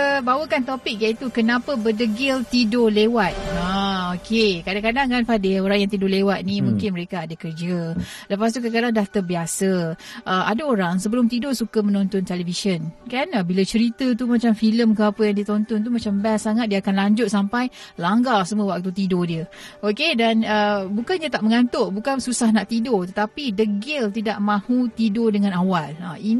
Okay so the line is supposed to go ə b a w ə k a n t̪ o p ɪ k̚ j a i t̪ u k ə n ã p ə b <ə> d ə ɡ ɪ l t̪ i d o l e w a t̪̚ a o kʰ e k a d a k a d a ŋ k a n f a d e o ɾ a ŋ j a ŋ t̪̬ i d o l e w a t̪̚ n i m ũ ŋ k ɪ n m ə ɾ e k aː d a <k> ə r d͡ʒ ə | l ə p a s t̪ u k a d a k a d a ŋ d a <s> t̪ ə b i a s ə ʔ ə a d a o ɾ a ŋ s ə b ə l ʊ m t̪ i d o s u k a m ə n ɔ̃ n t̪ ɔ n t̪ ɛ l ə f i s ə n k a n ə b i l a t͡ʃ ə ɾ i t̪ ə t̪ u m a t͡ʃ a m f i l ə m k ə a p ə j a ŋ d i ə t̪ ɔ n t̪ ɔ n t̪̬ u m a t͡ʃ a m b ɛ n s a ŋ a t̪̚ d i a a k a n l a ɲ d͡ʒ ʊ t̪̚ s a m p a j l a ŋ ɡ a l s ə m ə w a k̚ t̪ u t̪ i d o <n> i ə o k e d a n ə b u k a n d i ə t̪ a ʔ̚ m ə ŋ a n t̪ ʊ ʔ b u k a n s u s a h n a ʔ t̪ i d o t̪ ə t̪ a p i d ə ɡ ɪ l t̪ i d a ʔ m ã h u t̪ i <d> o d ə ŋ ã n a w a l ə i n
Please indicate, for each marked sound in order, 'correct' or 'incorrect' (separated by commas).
correct, correct, incorrect, incorrect, correct